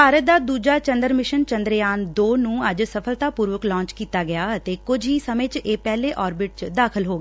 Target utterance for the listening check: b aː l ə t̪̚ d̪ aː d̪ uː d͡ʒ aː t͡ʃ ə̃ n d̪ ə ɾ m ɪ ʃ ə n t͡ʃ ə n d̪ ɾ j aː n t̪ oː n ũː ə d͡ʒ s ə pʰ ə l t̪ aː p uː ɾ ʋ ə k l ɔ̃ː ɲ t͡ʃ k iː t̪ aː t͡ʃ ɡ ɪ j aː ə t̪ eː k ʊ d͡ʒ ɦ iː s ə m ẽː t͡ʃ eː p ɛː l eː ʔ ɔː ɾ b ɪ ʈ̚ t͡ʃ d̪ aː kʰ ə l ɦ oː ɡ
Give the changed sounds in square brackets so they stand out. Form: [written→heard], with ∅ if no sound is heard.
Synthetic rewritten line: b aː [l→ɾ] ə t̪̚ d̪ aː d̪ uː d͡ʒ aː t͡ʃ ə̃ n d̪ ə ɾ m ɪ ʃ ə n t͡ʃ ə n d̪ ɾ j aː n [t̪→d̪] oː n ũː ə d͡ʒ s ə pʰ ə l t̪ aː p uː ɾ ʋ ə k l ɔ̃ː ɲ t͡ʃ k iː t̪ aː [t͡ʃ→∅] ɡ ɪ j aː ə t̪ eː k ʊ d͡ʒ ɦ iː s ə m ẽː t͡ʃ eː p ɛː l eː ʔ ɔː ɾ b ɪ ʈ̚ t͡ʃ d̪ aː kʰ ə l ɦ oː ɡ

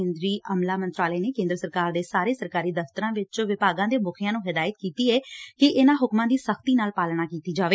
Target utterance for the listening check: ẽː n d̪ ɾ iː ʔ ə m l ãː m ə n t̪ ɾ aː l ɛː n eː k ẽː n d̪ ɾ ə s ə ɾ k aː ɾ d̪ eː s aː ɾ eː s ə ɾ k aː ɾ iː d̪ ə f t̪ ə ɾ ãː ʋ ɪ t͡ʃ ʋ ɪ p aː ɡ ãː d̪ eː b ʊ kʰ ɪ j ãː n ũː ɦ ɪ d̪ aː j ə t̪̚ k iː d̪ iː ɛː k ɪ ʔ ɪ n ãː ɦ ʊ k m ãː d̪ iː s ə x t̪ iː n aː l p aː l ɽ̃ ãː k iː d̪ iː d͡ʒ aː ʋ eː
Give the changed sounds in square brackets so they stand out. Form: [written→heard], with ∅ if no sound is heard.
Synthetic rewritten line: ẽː n d̪ ɾ iː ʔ ə m l [ãː→aː] m ə n t̪ ɾ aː l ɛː n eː k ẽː n d̪ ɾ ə s ə ɾ k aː ɾ d̪ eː s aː ɾ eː s ə ɾ k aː ɾ iː d̪ ə f t̪ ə ɾ ãː ʋ ɪ t͡ʃ ʋ ɪ p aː ɡ ãː d̪ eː b ʊ kʰ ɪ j ãː n ũː ɦ ɪ d̪ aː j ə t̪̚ k iː [d̪→t̪] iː ɛː k ɪ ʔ ɪ n ãː ɦ ʊ k m ãː d̪ iː s ə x t̪ iː n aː l p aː l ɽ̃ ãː k iː [d̪→t̪] iː d͡ʒ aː ʋ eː

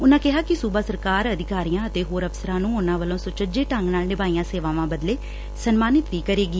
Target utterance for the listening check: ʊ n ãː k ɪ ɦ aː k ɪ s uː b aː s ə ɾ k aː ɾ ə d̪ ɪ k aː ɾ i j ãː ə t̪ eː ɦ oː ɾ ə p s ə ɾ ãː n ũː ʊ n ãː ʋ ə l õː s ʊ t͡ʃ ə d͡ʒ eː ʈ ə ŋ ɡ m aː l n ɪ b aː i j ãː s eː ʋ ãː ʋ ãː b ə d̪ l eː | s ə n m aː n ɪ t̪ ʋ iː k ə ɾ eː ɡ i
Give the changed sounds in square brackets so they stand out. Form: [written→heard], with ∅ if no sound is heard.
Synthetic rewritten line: ʊ n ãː k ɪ ɦ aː k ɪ s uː b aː s ə ɾ k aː ɾ ə d̪ ɪ k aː ɾ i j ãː ə t̪ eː ɦ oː ɾ ə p s ə ɾ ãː n ũː ʊ n ãː ʋ ə l õː s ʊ t͡ʃ ə d͡ʒ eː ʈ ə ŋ ɡ [m→n] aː l n ɪ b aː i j ãː s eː ʋ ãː ʋ ãː b ə d̪ l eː | s ə n m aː n ɪ t̪ ʋ iː k ə ɾ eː ɡ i

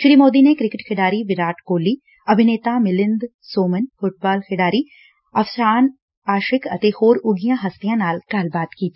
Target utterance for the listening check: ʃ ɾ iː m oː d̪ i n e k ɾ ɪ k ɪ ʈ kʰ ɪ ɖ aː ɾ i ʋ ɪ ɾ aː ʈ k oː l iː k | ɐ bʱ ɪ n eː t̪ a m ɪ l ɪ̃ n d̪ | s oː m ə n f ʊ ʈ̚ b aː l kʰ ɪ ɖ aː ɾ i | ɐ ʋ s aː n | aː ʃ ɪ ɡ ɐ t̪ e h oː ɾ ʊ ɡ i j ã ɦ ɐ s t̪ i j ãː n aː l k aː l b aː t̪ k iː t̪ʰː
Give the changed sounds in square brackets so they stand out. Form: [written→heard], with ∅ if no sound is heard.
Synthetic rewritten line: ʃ ɾ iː m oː d̪ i n e k ɾ ɪ k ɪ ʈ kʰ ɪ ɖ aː ɾ i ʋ ɪ ɾ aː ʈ k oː l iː [k→∅] | ɐ bʱ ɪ n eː t̪ a m ɪ l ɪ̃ n d̪ | s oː m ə n f ʊ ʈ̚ b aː l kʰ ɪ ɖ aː ɾ i | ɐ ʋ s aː n | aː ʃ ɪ [ɡ→k] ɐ t̪ e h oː ɾ ʊ ɡ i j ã ɦ ɐ s t̪ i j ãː n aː l k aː l b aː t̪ k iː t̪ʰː

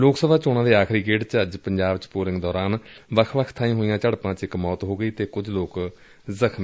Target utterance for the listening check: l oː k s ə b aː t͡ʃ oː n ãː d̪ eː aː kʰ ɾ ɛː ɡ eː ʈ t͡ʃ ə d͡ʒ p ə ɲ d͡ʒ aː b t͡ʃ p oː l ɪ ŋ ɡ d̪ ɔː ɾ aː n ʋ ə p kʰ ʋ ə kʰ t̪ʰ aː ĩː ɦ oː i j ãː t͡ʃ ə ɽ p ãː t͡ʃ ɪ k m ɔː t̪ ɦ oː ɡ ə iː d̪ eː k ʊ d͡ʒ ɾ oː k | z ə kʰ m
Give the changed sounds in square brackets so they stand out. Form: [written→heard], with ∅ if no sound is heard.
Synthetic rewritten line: l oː k s ə b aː t͡ʃ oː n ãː d̪ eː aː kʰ ɾ [ɛː→iː] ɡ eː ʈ t͡ʃ ə d͡ʒ p ə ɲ d͡ʒ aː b t͡ʃ p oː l ɪ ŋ ɡ d̪ ɔː ɾ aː n ʋ ə [p→∅] kʰ ʋ ə kʰ t̪ʰ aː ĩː ɦ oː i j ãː t͡ʃ ə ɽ p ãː t͡ʃ ɪ k m ɔː t̪ ɦ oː ɡ ə iː [d̪→t̪] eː k ʊ d͡ʒ [ɾ→l] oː k | z ə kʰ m

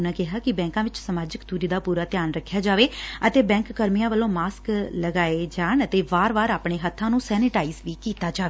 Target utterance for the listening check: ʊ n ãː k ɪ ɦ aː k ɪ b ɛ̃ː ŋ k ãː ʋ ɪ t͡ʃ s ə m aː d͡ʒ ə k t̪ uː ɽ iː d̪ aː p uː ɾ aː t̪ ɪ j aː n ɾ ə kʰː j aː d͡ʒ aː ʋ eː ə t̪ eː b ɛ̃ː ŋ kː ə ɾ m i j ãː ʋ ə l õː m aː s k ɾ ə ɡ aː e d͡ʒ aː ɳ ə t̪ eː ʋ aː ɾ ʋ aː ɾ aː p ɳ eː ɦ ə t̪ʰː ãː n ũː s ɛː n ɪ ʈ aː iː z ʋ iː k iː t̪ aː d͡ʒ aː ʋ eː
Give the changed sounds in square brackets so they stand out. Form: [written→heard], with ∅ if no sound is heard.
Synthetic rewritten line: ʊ n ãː k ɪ ɦ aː k ɪ b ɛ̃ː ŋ k ãː ʋ ɪ t͡ʃ s ə m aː d͡ʒ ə k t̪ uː [ɽ→ɾ] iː d̪ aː p uː ɾ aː t̪ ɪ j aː n ɾ ə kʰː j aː d͡ʒ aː ʋ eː ə t̪ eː b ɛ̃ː ŋ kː ə ɾ m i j ãː ʋ ə l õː m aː s k [ɾ→l] ə ɡ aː e d͡ʒ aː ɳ ə t̪ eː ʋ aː ɾ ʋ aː ɾ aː p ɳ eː ɦ ə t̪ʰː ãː n ũː s ɛː n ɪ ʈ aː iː z ʋ iː k iː t̪ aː d͡ʒ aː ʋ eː

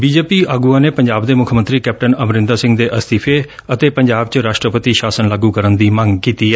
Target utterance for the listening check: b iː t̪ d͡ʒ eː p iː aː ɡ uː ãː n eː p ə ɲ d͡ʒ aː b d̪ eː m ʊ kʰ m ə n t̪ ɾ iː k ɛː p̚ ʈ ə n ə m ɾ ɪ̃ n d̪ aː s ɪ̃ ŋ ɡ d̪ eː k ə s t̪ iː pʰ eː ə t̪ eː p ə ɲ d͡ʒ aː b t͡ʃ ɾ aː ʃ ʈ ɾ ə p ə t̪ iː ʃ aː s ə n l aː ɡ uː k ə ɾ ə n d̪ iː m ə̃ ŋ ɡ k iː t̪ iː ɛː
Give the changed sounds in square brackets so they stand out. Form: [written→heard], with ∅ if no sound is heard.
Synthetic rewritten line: b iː [t̪→∅] d͡ʒ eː p iː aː ɡ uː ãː n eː p ə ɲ d͡ʒ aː b d̪ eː m ʊ kʰ m ə n t̪ ɾ iː k ɛː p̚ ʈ ə n ə m ɾ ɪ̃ n d̪ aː s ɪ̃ ŋ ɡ d̪ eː [k→ʔ] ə s t̪ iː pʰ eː ə t̪ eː p ə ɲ d͡ʒ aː b t͡ʃ ɾ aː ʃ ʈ ɾ ə p ə t̪ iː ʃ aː s ə n l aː ɡ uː k ə ɾ ə n d̪ iː m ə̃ ŋ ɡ k iː t̪ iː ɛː

